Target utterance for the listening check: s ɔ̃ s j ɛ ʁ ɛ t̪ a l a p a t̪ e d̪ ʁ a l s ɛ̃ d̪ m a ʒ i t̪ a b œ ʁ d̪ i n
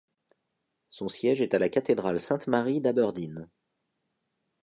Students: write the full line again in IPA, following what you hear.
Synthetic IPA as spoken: s ɔ̃ s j ɛ ʒ ɛ t̪ a l a k a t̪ e d̪ ʁ a l s ɛ̃ t̪ m a ʁ i d̪ a b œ ʁ d̪ i n